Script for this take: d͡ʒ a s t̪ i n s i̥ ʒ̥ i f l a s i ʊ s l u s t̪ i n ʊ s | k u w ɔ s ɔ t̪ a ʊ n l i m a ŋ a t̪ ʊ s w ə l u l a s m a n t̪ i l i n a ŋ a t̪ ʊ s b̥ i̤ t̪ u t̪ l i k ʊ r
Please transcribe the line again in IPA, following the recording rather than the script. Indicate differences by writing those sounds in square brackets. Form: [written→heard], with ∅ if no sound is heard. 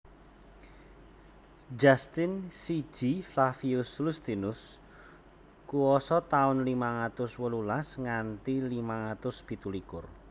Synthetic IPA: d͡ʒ a s t̪ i n s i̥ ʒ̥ i f l a [s→f] i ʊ s l u s t̪ i n ʊ s | k u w ɔ s ɔ t̪ a ʊ n l i m a ŋ a t̪ ʊ s w ə l u l a s [m→ŋ] a n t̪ i l i [n→m] a ŋ a t̪ ʊ s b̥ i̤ t̪ u [t̪→∅] l i k ʊ r